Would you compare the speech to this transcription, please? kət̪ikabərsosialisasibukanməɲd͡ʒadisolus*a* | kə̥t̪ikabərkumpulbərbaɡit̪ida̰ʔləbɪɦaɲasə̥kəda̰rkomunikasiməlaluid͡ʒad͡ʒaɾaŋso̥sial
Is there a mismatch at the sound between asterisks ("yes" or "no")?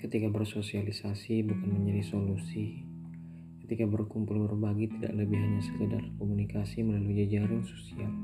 yes